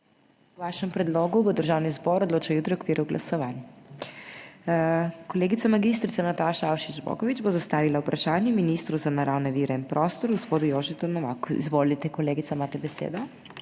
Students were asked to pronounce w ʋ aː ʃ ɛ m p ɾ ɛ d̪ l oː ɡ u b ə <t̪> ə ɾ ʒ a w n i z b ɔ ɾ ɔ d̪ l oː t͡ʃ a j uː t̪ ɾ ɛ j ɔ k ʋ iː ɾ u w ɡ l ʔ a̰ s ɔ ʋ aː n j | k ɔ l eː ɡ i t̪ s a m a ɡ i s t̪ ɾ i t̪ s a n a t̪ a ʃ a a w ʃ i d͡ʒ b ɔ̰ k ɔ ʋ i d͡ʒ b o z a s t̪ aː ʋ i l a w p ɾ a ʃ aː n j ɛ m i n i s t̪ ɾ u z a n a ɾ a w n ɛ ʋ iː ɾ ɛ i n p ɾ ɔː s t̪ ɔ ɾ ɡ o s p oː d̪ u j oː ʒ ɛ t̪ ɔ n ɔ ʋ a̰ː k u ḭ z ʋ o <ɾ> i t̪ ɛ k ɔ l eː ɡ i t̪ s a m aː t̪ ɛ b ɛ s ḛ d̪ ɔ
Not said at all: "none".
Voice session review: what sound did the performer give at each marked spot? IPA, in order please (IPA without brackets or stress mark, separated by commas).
d̪, l